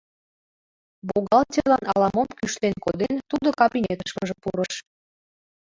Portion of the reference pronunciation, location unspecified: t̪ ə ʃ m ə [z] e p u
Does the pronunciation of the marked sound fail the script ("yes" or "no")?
yes